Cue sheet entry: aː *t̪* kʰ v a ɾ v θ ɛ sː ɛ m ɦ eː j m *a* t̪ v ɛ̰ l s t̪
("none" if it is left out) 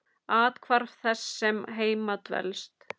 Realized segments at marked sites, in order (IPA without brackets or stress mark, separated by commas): t̪, a